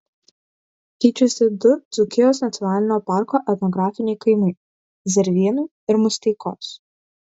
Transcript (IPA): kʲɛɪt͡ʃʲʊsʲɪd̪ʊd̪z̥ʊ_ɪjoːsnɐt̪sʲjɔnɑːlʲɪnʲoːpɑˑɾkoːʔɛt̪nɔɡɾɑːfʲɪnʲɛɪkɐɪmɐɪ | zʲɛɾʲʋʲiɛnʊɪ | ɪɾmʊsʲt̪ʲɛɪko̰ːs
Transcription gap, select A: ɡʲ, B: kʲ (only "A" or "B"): B